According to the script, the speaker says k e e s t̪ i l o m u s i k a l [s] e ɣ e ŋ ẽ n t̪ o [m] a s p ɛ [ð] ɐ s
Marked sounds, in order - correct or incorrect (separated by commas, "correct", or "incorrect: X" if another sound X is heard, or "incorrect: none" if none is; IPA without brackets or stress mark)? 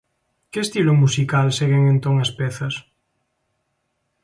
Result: correct, incorrect: ŋ, incorrect: θ